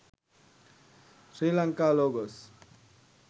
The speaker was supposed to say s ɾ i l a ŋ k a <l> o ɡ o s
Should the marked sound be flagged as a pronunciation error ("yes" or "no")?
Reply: no